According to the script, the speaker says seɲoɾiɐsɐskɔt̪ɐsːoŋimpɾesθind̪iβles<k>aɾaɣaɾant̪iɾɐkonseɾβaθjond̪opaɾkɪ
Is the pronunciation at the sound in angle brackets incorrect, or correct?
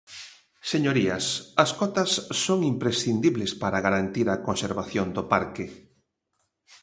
incorrect